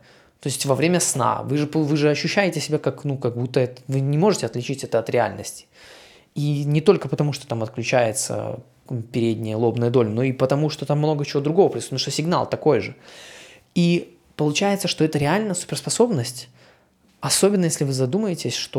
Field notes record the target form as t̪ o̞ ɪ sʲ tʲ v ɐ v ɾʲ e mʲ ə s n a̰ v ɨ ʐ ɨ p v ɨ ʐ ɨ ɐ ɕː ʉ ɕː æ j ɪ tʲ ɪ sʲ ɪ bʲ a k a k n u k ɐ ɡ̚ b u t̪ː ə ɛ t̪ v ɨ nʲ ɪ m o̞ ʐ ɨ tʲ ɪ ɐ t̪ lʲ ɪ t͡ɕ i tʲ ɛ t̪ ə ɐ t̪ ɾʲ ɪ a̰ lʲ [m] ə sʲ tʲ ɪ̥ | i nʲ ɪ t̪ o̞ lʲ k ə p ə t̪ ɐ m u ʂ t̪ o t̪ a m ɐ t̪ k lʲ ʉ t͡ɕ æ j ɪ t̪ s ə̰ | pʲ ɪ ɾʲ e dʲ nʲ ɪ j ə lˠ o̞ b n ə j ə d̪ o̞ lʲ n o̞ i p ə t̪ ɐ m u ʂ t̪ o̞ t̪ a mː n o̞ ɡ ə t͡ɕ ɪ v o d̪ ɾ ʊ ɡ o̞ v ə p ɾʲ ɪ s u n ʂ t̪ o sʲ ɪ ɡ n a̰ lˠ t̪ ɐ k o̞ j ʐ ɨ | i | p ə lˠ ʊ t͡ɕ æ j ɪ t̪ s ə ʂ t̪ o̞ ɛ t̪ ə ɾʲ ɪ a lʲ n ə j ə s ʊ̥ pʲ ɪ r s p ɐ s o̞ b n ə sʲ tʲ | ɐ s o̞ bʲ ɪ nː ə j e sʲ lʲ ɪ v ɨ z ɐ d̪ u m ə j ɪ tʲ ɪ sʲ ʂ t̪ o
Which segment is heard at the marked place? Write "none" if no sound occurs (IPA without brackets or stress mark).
n